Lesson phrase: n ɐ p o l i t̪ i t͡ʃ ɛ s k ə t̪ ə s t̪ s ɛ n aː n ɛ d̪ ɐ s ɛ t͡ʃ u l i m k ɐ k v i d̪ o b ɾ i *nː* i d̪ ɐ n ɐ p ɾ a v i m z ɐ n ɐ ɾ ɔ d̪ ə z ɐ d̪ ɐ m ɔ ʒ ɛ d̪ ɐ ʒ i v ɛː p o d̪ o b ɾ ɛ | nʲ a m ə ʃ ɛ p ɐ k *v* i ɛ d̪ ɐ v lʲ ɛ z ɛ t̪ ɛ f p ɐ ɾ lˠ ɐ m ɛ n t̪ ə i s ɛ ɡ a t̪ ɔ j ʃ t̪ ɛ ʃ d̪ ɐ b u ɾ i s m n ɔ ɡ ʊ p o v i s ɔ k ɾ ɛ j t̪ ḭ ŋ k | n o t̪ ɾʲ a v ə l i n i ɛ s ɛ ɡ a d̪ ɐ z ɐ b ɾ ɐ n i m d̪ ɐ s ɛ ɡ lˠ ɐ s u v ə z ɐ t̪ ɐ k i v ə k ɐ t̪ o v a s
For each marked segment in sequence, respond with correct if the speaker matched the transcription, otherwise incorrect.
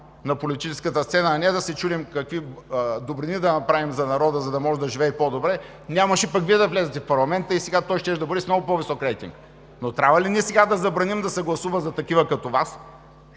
incorrect: n, correct

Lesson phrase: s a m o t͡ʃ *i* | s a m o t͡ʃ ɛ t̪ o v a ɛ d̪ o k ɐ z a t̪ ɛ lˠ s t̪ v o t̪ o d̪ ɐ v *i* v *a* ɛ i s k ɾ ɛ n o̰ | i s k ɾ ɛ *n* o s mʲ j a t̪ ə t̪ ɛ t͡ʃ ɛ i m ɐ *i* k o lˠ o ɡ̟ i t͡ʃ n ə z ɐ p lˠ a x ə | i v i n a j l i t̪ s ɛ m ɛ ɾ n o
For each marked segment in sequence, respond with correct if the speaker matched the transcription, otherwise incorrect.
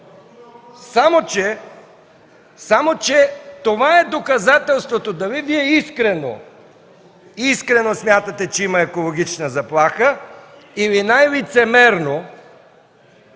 incorrect: ɛ, correct, incorrect: i, correct, incorrect: ɛ

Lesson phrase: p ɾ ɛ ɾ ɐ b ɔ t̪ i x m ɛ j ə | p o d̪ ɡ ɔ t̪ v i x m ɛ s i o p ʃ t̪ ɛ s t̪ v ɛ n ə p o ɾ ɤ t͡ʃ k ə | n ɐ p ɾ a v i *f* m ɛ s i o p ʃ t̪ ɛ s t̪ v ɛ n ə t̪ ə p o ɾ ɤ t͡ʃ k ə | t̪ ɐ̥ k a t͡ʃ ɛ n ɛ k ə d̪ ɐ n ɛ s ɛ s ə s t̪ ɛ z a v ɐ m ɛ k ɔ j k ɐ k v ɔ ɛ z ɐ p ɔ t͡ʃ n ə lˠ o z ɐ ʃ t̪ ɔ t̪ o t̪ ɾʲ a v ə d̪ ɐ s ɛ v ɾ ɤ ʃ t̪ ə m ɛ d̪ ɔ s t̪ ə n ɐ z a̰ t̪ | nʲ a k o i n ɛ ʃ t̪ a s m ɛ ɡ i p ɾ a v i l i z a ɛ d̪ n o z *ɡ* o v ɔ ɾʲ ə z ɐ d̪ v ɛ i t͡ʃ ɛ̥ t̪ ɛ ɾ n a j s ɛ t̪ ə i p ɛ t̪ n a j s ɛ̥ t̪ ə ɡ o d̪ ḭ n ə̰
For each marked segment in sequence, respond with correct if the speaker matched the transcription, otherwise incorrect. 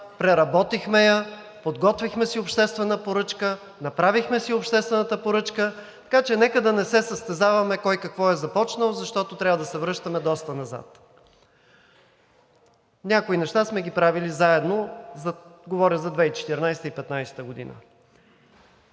incorrect: x, correct

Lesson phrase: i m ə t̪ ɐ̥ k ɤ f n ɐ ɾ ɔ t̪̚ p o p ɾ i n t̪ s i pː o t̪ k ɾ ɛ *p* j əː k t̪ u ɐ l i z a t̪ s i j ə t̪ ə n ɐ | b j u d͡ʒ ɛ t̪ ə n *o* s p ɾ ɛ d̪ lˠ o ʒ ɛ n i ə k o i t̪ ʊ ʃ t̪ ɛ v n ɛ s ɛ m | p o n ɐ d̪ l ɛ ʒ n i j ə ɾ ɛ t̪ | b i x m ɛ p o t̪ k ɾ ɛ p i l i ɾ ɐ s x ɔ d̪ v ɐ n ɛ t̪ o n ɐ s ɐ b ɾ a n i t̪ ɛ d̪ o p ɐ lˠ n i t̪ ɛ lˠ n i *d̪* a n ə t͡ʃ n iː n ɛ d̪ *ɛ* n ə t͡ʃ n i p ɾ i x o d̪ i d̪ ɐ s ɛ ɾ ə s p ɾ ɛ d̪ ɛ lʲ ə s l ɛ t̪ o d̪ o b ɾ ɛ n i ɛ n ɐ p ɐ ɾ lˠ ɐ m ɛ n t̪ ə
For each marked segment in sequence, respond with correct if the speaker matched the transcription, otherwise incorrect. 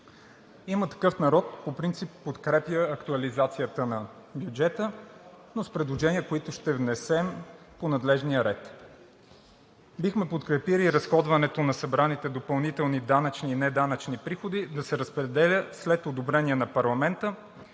correct, correct, correct, incorrect: a

